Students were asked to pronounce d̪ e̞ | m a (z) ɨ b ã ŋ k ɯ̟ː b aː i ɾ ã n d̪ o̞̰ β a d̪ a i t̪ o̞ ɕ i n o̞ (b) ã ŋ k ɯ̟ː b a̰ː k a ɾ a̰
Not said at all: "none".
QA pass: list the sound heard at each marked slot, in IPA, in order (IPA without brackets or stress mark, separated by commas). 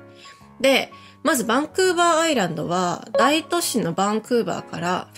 z, b